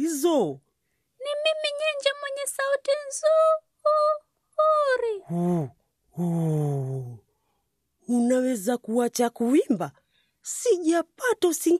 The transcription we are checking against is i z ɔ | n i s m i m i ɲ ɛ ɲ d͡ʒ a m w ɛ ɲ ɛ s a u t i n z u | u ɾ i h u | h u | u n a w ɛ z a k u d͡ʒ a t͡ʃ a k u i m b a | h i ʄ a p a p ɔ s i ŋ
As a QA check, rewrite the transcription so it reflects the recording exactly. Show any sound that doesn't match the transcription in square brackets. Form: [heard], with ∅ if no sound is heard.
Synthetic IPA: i z ɔ | n i [∅] m i m i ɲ ɛ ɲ d͡ʒ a m w ɛ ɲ ɛ s a u t i n z u | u ɾ i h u | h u | u n a w ɛ z a k u [∅] a t͡ʃ a k u i m b a | [s] i ʄ a p a [t] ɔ s i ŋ